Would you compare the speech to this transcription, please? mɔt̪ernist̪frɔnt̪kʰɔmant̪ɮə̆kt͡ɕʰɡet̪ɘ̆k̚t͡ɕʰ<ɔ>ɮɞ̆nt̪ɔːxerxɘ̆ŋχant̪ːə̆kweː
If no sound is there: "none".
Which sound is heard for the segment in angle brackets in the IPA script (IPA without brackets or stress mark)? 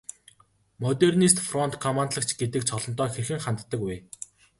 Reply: ɔ